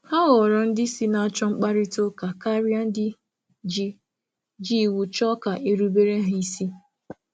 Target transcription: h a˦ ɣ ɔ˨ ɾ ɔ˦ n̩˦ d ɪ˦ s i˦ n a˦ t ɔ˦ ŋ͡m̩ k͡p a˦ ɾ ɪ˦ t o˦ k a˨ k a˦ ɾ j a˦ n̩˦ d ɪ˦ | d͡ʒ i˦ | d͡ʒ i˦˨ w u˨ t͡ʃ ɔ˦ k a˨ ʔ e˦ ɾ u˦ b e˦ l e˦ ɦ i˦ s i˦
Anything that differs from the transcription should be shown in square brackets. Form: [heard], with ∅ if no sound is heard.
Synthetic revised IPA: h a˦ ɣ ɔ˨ ɾ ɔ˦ n̩˦ d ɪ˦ s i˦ n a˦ [t͡ʃ] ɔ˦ ŋ͡m̩ k͡p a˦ ɾ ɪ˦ t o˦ k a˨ k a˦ ɾ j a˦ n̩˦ d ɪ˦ | d͡ʒ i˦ | d͡ʒ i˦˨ w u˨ t͡ʃ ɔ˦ k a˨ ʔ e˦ ɾ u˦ b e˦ [ɾ] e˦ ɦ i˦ s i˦